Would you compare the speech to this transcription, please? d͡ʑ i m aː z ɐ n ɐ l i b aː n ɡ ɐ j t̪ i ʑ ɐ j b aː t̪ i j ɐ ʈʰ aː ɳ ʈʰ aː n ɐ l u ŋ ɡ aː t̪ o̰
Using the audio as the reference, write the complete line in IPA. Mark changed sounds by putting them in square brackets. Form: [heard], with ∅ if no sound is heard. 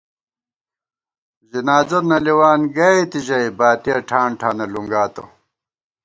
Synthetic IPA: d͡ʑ i [n] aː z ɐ n ɐ l i [w] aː n ɡ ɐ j t̪ i ʑ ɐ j b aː t̪ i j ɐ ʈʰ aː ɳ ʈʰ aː n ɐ l u ŋ ɡ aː t̪ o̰